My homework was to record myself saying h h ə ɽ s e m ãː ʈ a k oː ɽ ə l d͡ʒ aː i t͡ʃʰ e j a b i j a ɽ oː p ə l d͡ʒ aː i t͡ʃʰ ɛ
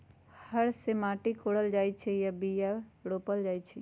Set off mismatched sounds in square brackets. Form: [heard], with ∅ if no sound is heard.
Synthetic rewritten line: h h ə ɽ s e m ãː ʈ [i] k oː ɽ ə l d͡ʒ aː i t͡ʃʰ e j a b i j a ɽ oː p ə l d͡ʒ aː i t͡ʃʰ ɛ